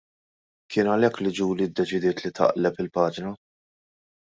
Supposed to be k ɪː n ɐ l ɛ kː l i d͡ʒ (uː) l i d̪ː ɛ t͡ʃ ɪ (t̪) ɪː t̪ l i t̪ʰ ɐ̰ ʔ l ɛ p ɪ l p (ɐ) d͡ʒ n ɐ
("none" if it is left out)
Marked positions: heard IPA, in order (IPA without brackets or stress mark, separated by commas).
uː, d̪, ɐː